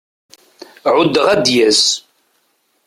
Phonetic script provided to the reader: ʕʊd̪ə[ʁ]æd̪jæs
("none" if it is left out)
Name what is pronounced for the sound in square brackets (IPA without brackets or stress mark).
ʁ